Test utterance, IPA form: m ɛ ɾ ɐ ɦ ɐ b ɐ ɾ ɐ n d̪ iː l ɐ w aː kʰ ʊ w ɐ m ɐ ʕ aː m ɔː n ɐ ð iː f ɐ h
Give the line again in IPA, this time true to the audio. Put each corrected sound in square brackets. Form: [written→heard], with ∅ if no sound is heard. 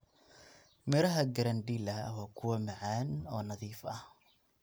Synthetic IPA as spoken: m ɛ ɾ ɐ ɦ ɐ [b→ɡ] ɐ ɾ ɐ n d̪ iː l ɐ w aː kʰ ʊ w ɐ m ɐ ʕ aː [m→n] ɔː n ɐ ð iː f ɐ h